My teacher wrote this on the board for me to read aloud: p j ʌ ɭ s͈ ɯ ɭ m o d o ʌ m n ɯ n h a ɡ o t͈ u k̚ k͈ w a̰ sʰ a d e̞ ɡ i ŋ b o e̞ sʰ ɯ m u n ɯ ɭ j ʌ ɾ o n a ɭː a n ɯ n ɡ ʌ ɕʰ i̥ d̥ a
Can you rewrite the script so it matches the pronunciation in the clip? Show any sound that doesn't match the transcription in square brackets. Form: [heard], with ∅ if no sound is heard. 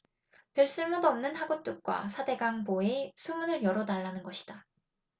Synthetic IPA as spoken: p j ʌ ɭ s͈ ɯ ɭ m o d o ʌ m n ɯ n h a ɡ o t͈ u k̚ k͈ w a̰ sʰ a d e̞ ɡ [a] ŋ b o e̞ sʰ [u] m u n ɯ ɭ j ʌ ɾ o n a ɭː a n ɯ n ɡ ʌ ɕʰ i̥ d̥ a